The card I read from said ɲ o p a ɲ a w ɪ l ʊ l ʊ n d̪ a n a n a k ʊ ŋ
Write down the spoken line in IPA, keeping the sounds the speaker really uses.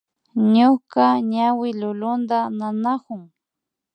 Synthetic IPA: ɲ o k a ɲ a w ɪ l ʊ l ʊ n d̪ a n a n a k ʊ ŋ